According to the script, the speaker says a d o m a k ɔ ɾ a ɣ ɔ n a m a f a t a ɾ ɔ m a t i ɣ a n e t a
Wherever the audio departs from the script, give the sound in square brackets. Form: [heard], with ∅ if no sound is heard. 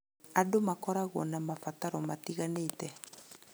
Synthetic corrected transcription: a d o m a k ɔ ɾ a ɣ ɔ n a m a f a t a ɾ ɔ m a t i ɣ a n e t [ɛ]